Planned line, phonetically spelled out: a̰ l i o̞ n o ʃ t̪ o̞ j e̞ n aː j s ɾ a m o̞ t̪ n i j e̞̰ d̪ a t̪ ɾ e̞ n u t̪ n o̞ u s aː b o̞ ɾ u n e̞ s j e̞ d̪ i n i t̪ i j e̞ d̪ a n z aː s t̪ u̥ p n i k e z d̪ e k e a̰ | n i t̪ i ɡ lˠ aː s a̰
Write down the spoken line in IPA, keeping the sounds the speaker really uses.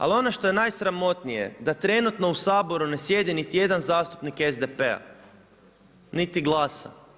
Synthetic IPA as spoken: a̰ l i o̞ n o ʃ t̪ o̞ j e̞ n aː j s ɾ a m o̞ t̪ n i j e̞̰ d̪ a t̪ ɾ e̞ n u t̪ n o̞ u s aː b o̞ ɾ u n e̞ s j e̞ d̪ i n i t̪ i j e̞ d̪ a n z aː s t̪ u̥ p n i k e z d̪ e p e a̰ | n i t̪ i ɡ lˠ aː s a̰